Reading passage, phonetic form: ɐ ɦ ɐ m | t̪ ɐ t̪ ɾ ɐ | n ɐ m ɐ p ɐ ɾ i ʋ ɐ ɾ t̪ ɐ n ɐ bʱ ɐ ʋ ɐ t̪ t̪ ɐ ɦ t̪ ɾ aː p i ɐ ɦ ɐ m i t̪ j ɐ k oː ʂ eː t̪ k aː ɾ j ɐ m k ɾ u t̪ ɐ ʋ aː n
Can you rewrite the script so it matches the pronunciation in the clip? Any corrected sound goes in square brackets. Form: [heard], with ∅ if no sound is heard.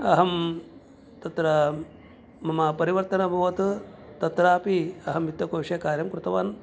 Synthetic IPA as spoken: ɐ ɦ ɐ m | t̪ ɐ t̪ ɾ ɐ | [m] ɐ m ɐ p ɐ ɾ i ʋ ɐ ɾ t̪ ɐ n ɐ bʱ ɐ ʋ ɐ t̪ t̪ ɐ [∅] t̪ ɾ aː p i ɐ ɦ ɐ m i t̪ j ɐ k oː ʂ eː [∅] k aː ɾ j ɐ m k ɾ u t̪ ɐ ʋ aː n

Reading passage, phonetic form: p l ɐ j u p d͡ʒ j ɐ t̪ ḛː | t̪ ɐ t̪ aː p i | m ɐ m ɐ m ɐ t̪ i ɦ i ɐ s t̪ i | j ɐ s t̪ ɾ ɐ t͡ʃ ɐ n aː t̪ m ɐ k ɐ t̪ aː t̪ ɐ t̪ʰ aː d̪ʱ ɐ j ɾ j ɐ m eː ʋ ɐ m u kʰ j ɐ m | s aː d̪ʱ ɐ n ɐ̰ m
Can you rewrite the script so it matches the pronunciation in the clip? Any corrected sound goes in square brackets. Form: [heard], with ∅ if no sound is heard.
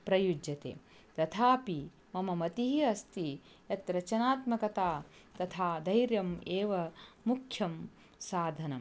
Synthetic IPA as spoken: p [ɾ] ɐ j u [∅] d͡ʒ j ɐ t̪ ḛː | t̪ ɐ [t̪ʰ] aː p i | m ɐ m ɐ m ɐ t̪ i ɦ i ɐ s t̪ i | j ɐ [∅] t̪ ɾ ɐ t͡ʃ ɐ n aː t̪ m ɐ k ɐ t̪ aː t̪ ɐ t̪ʰ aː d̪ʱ ɐ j ɾ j ɐ m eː ʋ ɐ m u kʰ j ɐ m | s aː d̪ʱ ɐ n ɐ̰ m

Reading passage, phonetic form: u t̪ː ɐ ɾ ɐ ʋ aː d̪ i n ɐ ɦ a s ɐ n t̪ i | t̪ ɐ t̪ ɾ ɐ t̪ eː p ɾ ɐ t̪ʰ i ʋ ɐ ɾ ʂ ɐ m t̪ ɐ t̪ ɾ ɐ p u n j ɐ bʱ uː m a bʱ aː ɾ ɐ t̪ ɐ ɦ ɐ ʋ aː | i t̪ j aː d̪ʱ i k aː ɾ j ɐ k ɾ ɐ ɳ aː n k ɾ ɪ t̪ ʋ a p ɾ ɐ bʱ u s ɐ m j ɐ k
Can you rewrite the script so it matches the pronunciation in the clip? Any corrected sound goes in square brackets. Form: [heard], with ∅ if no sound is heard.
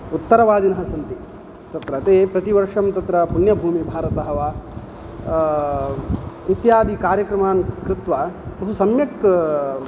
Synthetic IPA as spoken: u t̪ː ɐ ɾ ɐ ʋ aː d̪ i n ɐ ɦ [ɐ] s ɐ n t̪ i | t̪ ɐ t̪ ɾ ɐ t̪ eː p ɾ ɐ [t̪] i ʋ ɐ ɾ ʂ ɐ m t̪ ɐ t̪ ɾ ɐ p u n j ɐ bʱ uː m [i] bʱ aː ɾ ɐ t̪ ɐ ɦ ɐ ʋ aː | i t̪ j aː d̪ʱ i k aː ɾ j ɐ k ɾ ɐ [m] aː n k ɾ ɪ t̪ ʋ a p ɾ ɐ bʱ u s ɐ m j ɐ k

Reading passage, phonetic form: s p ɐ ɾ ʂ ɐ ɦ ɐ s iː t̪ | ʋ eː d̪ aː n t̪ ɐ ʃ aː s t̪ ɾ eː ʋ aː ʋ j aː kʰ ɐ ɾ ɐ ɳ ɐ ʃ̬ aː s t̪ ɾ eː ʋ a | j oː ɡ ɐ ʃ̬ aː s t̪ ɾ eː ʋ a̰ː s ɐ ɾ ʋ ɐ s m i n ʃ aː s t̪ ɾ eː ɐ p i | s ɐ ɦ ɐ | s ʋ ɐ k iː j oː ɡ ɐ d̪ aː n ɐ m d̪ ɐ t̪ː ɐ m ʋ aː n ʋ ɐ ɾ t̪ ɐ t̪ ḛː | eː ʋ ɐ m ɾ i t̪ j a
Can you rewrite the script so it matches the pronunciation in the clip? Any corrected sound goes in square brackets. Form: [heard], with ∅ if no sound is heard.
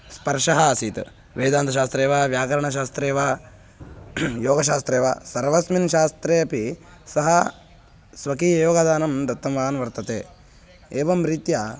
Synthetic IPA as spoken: s p ɐ ɾ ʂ ɐ ɦ ɐ s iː t̪ | ʋ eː d̪ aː n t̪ ɐ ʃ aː s t̪ ɾ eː ʋ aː ʋ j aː [k] ɐ ɾ ɐ ɳ ɐ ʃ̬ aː s t̪ ɾ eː ʋ a | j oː ɡ ɐ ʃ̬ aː s t̪ ɾ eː ʋ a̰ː s ɐ ɾ ʋ ɐ s m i n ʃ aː s t̪ ɾ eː ɐ p i | s ɐ ɦ ɐ | s ʋ ɐ k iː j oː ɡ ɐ d̪ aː n ɐ m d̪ ɐ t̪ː ɐ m ʋ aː n ʋ ɐ ɾ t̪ ɐ t̪ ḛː | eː ʋ ɐ m ɾ i t̪ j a

